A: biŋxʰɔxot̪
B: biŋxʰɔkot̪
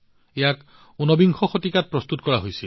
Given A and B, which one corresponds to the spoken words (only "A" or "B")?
A